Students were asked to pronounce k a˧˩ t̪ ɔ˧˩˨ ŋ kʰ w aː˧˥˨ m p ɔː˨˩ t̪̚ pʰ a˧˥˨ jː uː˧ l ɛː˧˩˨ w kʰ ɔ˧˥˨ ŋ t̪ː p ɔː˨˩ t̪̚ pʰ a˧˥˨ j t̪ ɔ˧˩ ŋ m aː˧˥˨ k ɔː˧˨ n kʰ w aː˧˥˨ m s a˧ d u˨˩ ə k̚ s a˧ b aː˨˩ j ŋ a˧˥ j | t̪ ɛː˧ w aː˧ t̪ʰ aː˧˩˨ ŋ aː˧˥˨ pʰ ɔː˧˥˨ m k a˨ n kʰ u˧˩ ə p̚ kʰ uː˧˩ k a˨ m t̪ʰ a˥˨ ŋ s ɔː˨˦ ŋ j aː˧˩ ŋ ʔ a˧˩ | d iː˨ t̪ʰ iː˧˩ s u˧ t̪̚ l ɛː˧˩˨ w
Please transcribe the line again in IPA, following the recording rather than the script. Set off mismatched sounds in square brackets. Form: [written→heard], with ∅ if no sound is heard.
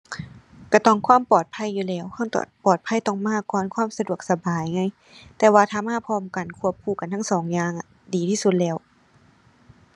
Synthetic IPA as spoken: k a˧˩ t̪ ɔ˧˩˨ ŋ kʰ w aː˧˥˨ m p ɔː˨˩ t̪̚ pʰ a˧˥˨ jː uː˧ l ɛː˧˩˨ w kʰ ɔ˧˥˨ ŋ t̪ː p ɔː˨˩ t̪̚ pʰ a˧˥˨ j t̪ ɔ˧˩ ŋ m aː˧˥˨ k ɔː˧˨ n kʰ w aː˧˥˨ m s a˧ d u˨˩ ə k̚ s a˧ b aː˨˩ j ŋ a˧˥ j | t̪ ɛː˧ w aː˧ t̪ʰ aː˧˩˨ [ŋ→m] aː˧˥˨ pʰ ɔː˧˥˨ m k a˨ n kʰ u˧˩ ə p̚ kʰ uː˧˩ k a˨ [m→n] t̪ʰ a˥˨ ŋ s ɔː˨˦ ŋ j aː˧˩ ŋ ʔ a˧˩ | d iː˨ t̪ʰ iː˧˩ s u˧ t̪̚ l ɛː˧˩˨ w

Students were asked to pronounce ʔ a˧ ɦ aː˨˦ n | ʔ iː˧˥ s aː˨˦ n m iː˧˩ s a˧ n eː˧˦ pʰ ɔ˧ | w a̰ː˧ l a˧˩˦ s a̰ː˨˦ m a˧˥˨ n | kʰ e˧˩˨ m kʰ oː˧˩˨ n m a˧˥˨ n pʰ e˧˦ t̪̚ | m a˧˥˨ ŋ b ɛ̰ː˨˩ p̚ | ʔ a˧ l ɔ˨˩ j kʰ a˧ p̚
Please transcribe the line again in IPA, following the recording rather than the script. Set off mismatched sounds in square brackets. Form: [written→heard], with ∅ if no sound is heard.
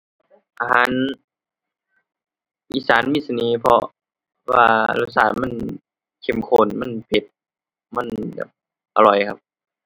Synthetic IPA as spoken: ʔ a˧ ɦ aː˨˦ n | ʔ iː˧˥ s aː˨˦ n m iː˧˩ s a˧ n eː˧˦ pʰ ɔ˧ | w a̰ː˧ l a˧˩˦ s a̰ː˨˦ m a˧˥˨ n | kʰ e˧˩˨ m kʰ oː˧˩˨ n m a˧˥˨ n pʰ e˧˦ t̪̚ | m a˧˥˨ [ŋ→n] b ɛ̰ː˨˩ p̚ | ʔ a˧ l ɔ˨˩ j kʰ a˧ p̚

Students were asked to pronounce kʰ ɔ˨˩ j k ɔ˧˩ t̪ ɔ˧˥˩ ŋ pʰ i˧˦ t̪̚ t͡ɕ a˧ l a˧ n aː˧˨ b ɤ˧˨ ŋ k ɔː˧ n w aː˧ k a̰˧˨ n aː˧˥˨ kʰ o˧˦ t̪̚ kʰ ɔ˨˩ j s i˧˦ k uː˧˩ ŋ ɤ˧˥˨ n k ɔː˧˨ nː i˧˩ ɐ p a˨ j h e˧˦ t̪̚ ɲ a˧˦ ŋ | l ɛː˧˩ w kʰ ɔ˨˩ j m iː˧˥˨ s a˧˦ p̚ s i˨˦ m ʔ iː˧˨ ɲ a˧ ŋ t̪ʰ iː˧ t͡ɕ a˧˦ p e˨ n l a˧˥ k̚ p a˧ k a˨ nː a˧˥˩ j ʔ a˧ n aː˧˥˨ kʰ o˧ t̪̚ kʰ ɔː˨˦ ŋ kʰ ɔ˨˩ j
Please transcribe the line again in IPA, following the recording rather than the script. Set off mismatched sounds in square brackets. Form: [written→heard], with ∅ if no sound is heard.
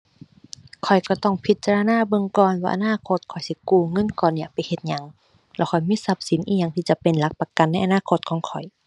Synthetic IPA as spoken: kʰ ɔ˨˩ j k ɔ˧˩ t̪ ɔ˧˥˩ ŋ pʰ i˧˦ t̪̚ t͡ɕ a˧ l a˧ n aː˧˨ b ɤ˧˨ ŋ k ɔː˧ n w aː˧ [k→ʔ] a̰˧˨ n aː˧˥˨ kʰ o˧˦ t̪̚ kʰ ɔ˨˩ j s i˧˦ k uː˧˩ ŋ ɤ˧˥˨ n k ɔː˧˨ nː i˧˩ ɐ p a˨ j h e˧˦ t̪̚ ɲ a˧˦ ŋ | l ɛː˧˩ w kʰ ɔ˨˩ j m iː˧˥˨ s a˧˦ p̚ s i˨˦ [m→n] ʔ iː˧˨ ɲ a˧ ŋ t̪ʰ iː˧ t͡ɕ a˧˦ p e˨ n l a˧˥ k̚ p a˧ k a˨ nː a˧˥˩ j ʔ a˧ n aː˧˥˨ kʰ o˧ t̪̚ kʰ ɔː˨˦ ŋ kʰ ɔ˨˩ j

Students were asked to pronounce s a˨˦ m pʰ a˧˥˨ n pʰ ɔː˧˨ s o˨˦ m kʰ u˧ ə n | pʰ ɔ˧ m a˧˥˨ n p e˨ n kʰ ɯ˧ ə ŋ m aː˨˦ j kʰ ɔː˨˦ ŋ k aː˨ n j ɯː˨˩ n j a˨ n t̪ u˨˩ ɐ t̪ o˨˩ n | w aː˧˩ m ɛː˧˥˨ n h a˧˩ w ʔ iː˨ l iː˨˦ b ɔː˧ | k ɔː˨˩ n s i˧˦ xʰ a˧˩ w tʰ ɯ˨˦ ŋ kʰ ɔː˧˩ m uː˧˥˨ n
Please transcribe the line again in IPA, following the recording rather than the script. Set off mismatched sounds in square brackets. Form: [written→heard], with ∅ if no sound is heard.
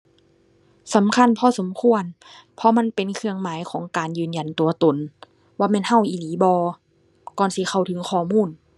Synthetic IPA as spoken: s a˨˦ m [pʰ→kʰ] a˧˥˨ n pʰ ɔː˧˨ s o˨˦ m kʰ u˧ ə n | pʰ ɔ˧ m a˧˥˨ n p e˨ n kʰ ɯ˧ ə ŋ m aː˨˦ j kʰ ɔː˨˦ ŋ k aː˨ n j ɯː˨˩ n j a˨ n t̪ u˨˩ ɐ t̪ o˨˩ n | w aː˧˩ m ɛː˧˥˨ n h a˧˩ w ʔ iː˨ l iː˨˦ b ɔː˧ | k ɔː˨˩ n s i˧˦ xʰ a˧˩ w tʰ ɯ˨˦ ŋ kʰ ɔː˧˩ m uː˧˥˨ n

